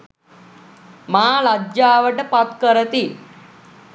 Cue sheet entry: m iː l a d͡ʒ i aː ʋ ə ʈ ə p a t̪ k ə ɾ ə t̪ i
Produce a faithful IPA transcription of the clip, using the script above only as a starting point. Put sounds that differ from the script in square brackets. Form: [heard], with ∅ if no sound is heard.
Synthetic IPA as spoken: m [aː] l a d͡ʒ [j] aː ʋ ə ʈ ə p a t̪ k ə ɾ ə t̪ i